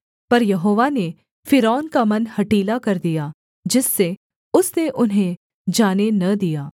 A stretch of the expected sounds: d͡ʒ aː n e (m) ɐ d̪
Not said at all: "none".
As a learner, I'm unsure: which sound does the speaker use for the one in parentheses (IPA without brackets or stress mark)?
n